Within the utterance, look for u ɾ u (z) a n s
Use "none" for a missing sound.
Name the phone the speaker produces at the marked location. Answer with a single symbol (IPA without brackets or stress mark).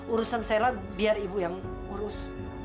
s